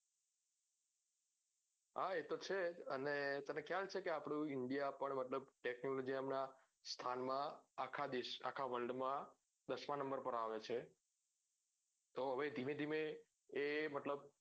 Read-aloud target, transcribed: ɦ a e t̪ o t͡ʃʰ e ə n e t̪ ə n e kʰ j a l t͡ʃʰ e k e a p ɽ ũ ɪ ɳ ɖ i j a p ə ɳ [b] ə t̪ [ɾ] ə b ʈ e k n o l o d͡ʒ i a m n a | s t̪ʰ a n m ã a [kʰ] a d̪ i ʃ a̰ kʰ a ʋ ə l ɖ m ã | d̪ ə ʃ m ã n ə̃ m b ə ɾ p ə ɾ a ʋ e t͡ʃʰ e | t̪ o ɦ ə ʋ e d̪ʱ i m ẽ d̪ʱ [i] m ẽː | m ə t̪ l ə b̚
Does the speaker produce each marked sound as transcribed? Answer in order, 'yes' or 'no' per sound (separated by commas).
no, no, yes, yes